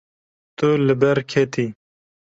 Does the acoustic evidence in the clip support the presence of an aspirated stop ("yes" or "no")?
yes